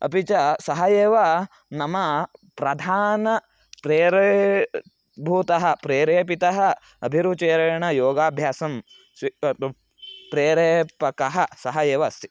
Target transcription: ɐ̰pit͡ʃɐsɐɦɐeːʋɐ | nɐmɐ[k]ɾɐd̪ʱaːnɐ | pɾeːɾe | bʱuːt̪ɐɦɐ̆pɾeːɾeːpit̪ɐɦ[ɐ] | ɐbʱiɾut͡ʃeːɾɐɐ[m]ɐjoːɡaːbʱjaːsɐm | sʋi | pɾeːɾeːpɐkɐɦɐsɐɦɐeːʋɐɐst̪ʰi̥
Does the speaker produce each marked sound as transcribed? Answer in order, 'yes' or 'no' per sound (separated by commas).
no, yes, no